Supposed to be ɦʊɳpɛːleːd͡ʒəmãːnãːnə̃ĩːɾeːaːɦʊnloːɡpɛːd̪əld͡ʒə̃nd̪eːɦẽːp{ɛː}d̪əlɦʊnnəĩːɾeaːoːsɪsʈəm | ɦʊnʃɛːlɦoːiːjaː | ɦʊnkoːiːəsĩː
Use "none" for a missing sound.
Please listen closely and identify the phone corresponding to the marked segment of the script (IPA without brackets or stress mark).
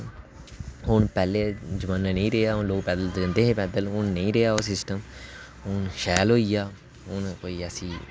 ɛː